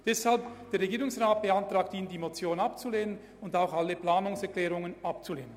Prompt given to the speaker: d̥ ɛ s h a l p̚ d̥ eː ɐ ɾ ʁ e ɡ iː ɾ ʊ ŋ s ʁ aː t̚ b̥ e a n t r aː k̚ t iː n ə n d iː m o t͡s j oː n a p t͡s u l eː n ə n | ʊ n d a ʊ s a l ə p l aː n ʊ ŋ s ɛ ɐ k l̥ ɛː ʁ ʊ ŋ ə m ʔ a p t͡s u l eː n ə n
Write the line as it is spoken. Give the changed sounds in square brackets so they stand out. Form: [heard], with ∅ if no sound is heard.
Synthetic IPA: d̥ ɛ s h a l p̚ d̥ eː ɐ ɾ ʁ e ɡ iː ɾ ʊ ŋ s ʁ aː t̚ b̥ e a n t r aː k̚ t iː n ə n d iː m o t͡s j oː n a p t͡s u l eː n ə n | ʊ n d a ʊ [x] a l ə p l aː n ʊ ŋ s ɛ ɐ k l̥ ɛː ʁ ʊ ŋ ə [n] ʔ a p t͡s u l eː n ə n